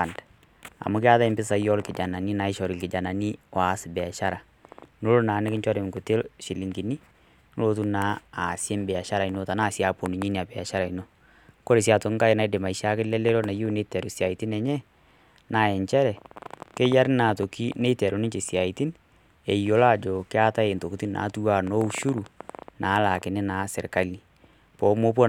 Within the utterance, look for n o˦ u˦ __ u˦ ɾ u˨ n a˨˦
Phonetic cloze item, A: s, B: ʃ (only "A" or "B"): B